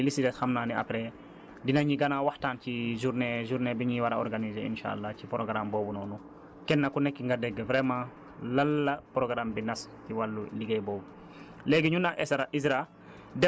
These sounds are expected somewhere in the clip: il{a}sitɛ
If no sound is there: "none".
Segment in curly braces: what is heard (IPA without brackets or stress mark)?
i